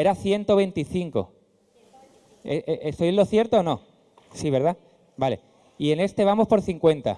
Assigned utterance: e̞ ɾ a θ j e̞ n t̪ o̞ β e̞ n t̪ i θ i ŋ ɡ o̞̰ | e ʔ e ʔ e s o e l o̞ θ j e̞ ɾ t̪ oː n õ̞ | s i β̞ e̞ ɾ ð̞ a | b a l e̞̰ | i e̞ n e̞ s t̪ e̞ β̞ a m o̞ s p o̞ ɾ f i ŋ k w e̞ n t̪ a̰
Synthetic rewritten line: e̞ ɾ a θ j e̞ n t̪ o̞ β e̞ n t̪ i θ i ŋ k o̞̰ | e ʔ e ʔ e s o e l o̞ θ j e̞ ɾ t̪ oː n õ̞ | s i β̞ e̞ ɾ ð̞ a | b a l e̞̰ | i e̞ n e̞ s t̪ e̞ β̞ a m o̞ s p o̞ ɾ θ i ŋ k w e̞ n t̪ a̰